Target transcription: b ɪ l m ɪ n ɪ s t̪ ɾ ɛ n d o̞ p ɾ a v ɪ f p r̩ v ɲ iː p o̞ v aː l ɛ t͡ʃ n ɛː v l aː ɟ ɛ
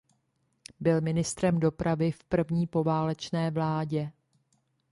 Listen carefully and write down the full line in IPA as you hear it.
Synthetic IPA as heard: b ɪ l m ɪ n ɪ s t̪ ɾ ɛ m d o̞ p ɾ a v ɪ f p r̩ v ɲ iː p o̞ v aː l ɛ t͡ʃ n ɛː v l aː ɟ ɛ

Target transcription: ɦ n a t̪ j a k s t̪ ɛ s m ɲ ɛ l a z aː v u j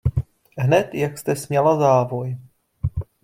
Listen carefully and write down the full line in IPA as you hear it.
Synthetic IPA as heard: ɦ n ɛ t̪ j a k s t̪ ɛ s m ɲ ɛ l a z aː v o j

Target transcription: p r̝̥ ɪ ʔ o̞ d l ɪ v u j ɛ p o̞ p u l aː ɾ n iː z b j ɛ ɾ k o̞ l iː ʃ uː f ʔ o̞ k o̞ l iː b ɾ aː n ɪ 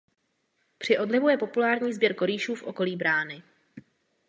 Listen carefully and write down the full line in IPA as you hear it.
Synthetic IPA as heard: p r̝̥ ɪ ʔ o̞ d l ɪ v u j ɛ p o̞ p u l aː ɾ ɲ iː z b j ɛ ɾ k o̞ ɾ iː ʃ uː f ʔ o̞ k o̞ l iː b ɾ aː n ɪ

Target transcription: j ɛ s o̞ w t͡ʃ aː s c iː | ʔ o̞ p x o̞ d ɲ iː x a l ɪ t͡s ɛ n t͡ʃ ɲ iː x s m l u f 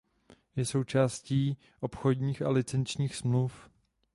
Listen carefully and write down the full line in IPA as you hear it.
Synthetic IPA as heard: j ɛ s o̞ w t͡ʃ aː s c iː | ʔ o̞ p x o̞ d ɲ iː x a l ɪ t͡s ɛ n t͡ʃ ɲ iː x s m l u f

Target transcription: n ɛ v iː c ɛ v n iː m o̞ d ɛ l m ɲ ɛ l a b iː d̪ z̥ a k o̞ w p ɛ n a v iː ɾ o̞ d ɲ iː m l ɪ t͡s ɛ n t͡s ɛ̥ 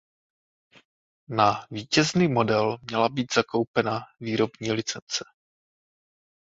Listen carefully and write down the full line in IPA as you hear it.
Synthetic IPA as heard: n a v iː c ɛ z n iː m o̞ d ɛ l m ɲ ɛ l a b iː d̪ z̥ a k o̞ w p ɛ n a v iː ɾ o̞ b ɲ iː l ɪ t͡s ɛ n t͡s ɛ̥

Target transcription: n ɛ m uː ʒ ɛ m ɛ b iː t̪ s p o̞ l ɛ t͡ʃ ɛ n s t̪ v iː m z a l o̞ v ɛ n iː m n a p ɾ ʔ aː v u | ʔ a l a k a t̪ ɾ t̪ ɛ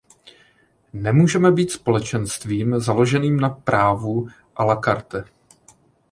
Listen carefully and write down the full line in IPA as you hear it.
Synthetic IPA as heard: n ɛ m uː ʒ ɛ m ɛ b iː t̪ s p o̞ l ɛ t͡ʃ ɛ n s t̪ v iː m z a l o̞ ʒ ɛ n iː m n a p ɾ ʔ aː v u | ʔ a l a k a ɾ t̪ ɛ

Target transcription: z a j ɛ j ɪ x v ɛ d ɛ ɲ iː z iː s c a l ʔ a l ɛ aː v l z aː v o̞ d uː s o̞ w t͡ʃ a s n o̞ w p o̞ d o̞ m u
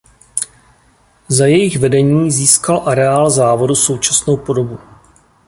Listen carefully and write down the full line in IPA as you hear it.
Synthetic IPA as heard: z a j ɛ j ɪ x v ɛ d ɛ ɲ iː z iː s k a l ʔ a ɾ ɛ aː l z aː v o̞ d u s o̞ w t͡ʃ a s n o̞ w p o̞ d o̞ b u

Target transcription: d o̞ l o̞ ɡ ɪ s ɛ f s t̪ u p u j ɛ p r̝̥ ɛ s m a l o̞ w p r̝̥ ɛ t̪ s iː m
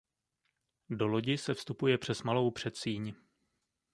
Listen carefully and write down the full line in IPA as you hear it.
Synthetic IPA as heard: d o̞ l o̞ ɟ ɪ s ɛ f s t̪ u p u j ɛ p r̝̥ ɛ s m a l o̞ w p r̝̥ ɛ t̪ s iː ɲ

